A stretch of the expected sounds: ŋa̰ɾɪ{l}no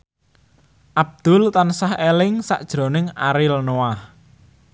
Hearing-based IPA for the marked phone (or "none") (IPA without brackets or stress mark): l